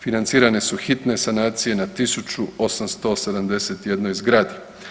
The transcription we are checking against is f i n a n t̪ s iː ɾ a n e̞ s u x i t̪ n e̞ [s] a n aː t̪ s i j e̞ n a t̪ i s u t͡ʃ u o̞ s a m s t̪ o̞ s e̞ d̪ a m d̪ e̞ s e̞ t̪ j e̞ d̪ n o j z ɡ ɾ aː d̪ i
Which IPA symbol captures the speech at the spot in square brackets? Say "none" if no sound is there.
s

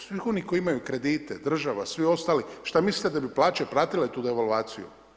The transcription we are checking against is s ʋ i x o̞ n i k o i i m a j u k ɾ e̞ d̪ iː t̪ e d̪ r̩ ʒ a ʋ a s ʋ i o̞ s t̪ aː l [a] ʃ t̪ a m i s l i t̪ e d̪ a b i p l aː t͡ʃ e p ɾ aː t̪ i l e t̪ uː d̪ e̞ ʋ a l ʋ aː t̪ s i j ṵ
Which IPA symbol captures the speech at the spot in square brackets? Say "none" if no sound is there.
i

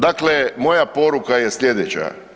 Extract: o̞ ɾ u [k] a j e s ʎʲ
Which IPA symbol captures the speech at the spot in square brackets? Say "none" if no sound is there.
k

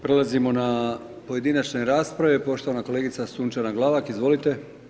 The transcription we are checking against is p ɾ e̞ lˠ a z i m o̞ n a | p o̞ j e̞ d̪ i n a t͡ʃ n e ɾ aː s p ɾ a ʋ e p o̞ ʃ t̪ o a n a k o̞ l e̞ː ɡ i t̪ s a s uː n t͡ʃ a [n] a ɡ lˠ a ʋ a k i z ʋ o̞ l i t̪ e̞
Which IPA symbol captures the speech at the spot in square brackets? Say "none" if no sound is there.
n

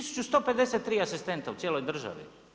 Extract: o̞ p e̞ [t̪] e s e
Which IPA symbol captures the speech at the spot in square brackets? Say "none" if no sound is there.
d̪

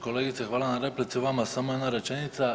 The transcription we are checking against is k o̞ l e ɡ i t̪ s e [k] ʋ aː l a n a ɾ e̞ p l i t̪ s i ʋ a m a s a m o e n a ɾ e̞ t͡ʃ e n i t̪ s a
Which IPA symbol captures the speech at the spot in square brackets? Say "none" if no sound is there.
x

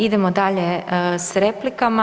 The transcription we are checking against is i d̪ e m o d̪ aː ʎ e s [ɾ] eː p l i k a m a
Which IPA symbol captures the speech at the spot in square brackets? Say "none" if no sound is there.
ɾ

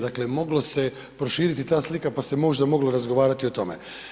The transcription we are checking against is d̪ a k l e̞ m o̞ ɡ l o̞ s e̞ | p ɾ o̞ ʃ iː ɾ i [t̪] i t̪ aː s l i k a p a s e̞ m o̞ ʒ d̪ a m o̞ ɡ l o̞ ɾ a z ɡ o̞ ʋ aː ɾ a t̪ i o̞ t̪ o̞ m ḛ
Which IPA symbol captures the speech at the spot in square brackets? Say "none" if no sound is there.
t̪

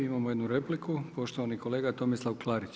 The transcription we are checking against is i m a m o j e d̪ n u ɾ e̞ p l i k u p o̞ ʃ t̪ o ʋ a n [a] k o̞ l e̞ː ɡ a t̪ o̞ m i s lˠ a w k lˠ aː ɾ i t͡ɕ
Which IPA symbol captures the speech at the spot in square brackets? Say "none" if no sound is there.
i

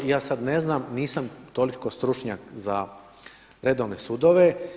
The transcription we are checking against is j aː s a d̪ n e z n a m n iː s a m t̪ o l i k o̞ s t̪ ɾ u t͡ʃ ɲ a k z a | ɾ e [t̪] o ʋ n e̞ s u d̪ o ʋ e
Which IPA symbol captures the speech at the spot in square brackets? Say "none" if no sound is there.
d̪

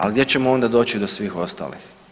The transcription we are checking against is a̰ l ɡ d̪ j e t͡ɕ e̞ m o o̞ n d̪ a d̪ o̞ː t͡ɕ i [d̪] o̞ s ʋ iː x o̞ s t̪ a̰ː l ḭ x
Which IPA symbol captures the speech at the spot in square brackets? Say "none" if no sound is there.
d̪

